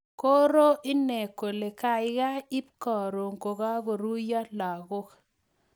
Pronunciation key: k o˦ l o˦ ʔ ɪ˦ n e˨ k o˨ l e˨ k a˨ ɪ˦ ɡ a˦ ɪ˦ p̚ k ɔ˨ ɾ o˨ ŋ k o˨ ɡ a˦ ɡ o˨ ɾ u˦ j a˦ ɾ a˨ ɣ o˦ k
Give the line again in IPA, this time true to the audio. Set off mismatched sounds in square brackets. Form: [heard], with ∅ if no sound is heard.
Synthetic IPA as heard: k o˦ [ɾ] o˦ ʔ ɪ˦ n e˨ k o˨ l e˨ k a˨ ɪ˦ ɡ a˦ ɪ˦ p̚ k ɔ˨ ɾ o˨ ŋ k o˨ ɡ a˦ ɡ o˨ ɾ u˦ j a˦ [l] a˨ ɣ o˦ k